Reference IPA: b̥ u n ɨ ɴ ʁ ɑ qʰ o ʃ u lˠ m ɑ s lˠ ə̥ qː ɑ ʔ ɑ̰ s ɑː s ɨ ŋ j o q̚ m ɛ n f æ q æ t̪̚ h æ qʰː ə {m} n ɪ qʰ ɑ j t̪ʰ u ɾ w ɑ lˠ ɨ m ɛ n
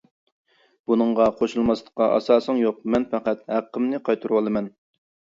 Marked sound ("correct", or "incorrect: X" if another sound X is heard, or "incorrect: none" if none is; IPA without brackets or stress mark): correct